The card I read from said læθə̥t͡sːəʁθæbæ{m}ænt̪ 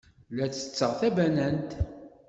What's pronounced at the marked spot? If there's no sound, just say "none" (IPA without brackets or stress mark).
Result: n